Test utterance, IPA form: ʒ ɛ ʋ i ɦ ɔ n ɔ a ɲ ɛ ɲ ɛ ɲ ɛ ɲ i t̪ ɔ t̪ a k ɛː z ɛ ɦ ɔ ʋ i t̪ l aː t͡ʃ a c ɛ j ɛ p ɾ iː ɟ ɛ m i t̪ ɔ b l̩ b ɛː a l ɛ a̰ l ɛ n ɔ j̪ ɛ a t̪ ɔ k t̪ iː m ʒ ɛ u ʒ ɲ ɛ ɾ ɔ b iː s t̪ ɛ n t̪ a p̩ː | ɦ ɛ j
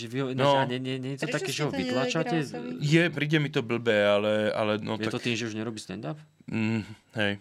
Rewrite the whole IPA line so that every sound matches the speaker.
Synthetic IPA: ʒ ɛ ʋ i ɦ ɔ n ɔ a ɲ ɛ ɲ ɛ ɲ ɛ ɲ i t̪ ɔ t̪ a k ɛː ʒ ɛ ɦ ɔ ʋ i t̪ l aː t͡ʃ a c ɛ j ɛ p ɾ iː ɟ ɛ m i t̪ ɔ b l̩ b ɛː a l ɛ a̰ l ɛ n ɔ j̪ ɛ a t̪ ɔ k t̪ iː m ʒ ɛ u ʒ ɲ ɛ ɾ ɔ b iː s t̪ ɛ n d̪ a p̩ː | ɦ ɛ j